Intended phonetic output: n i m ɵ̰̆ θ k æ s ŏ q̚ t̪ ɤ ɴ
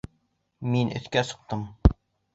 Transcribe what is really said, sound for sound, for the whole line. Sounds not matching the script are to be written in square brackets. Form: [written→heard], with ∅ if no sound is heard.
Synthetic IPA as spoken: [n→m] i [m→n] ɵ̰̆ θ k æ s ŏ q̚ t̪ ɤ [ɴ→m]